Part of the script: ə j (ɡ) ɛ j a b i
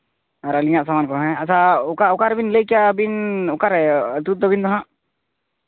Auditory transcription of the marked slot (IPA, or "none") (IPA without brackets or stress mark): k